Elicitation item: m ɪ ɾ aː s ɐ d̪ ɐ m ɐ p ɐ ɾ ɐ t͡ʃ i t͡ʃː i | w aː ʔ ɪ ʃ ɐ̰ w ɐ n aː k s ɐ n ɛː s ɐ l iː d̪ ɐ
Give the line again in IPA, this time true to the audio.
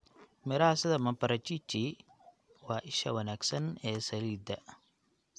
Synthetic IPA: m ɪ ɾ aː s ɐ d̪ ɐ m ɐ p ɐ ɾ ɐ t͡ʃ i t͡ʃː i | w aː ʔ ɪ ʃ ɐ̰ w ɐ n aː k s ɐ n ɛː s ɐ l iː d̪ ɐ